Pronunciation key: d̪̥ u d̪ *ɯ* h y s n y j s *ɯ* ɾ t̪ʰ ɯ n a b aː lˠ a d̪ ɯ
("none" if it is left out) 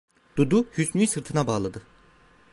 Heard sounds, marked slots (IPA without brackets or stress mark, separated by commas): u, ɯ